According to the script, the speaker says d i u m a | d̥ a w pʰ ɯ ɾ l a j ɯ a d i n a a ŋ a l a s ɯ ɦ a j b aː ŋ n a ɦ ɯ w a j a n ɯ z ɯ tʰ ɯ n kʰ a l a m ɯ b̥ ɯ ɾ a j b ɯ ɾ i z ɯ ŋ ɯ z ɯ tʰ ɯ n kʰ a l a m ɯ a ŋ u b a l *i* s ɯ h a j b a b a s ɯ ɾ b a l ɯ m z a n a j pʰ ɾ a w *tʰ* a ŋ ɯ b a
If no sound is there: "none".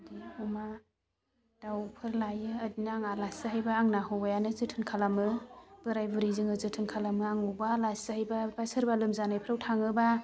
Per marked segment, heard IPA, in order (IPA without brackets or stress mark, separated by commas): a, tʰ